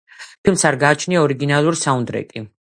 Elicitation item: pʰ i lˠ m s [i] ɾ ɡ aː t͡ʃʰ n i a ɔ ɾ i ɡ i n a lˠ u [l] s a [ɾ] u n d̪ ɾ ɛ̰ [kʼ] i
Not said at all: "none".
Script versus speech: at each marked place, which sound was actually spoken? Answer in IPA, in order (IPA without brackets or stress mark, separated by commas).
a, ɾ, none, kʼ